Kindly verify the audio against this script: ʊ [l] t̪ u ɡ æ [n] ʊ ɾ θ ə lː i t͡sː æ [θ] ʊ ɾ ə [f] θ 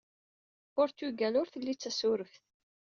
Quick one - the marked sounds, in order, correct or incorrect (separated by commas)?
incorrect, correct, incorrect, correct